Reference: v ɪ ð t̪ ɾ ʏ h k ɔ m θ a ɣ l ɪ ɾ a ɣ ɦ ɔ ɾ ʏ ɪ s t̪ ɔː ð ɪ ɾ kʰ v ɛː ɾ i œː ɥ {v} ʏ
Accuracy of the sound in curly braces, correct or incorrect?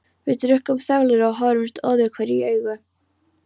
incorrect